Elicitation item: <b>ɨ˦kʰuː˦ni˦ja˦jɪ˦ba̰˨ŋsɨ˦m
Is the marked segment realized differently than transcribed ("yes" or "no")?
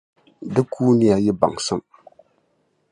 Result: yes